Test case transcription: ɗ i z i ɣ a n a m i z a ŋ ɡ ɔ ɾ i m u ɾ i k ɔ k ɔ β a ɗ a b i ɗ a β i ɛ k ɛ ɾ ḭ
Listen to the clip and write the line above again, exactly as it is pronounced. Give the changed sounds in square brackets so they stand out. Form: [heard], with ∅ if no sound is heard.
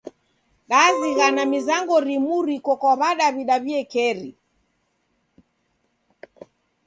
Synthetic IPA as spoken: ɗ [a] z i ɣ a n a m i z a ŋ ɡ ɔ ɾ i m u ɾ i k ɔ k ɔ β a ɗ a [β] i ɗ a β i ɛ k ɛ ɾ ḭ